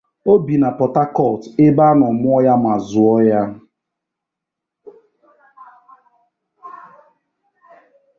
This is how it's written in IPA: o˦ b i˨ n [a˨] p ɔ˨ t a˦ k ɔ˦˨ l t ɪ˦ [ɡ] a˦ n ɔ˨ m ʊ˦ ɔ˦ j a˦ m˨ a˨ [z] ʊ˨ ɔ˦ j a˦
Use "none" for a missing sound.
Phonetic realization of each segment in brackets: a˨, b, z

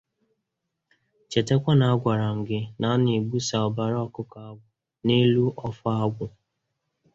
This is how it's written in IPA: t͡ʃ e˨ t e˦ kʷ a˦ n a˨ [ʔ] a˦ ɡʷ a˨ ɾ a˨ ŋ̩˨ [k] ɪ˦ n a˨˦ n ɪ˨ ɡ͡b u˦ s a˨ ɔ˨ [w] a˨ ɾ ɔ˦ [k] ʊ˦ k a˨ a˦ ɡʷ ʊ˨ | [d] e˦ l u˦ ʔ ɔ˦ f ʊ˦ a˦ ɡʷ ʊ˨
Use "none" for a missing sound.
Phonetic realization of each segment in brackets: none, ɡ, b, k, n

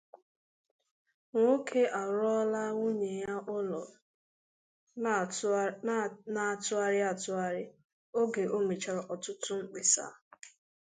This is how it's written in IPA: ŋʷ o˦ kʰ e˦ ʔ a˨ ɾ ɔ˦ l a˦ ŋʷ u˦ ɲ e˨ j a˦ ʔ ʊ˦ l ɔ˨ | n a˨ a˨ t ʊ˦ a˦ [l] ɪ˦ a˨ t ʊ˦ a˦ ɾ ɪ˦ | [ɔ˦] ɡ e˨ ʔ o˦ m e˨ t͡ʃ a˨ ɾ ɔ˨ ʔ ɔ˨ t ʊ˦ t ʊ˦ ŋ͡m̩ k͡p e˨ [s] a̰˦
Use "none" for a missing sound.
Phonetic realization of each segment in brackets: ɾ, o˦, s

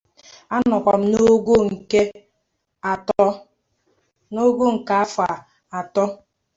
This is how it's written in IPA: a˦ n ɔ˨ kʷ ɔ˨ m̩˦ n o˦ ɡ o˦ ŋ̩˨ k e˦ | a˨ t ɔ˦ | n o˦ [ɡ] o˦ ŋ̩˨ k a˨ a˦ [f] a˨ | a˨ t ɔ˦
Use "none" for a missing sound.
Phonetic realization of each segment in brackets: ɡ, f

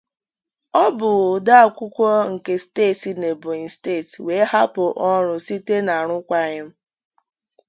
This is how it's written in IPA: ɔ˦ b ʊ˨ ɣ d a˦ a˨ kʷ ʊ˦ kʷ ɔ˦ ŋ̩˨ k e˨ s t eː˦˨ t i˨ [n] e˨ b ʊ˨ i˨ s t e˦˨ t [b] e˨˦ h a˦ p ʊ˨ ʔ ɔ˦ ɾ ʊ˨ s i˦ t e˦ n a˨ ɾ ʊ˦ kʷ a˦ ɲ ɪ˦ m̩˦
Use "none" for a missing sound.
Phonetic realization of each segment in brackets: n, w

